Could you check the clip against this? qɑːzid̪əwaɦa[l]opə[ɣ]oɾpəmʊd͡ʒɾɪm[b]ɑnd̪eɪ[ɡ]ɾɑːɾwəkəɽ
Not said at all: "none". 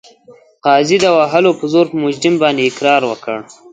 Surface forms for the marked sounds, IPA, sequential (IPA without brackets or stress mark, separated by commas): l, z, b, k